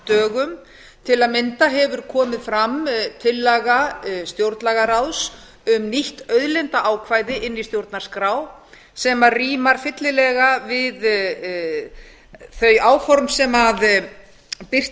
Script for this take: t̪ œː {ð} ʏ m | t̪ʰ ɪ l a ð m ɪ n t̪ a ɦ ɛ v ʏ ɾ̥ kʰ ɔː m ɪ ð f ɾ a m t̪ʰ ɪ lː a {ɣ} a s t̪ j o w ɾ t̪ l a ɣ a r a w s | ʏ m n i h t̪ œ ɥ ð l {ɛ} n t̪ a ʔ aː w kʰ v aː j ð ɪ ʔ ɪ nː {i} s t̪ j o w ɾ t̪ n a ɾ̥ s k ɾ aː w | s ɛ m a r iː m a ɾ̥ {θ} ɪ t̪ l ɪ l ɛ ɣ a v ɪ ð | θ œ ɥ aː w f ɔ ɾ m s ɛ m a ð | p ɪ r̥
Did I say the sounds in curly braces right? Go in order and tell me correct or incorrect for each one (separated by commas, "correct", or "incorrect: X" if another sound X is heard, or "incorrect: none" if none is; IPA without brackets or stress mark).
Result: incorrect: ɣ, correct, correct, correct, incorrect: f